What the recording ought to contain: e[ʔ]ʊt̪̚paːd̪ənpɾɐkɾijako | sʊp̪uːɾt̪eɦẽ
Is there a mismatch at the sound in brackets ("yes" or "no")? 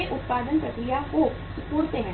no